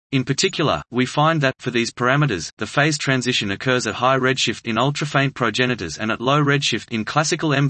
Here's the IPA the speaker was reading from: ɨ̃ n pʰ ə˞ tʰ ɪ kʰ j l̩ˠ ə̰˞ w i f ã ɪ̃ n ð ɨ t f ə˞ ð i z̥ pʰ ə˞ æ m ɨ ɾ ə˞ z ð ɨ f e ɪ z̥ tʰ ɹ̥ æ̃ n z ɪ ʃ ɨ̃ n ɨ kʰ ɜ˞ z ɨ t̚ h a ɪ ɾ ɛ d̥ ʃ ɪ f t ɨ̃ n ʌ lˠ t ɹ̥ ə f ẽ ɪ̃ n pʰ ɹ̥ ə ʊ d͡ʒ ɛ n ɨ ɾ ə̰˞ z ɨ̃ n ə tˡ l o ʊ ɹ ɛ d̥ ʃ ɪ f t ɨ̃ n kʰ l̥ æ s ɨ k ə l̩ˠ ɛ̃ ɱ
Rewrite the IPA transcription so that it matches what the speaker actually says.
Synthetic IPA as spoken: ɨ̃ n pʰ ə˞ tʰ ɪ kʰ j l̩ˠ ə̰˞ w i f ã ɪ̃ n ð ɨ t f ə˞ ð i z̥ pʰ ə˞ æ m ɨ ɾ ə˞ z ð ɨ f e ɪ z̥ tʰ ɹ̥ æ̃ n z ɪ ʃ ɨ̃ n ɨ kʰ ɜ˞ z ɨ t̚ h a ɪ ɹ ɛ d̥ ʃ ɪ f t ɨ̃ n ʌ lˠ t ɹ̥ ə f ẽ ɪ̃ n pʰ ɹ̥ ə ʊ d͡ʒ ɛ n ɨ ɾ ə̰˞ z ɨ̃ n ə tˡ l o ʊ ɹ ɛ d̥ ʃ ɪ f t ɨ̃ n kʰ l̥ æ s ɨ k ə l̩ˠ ɛ̃ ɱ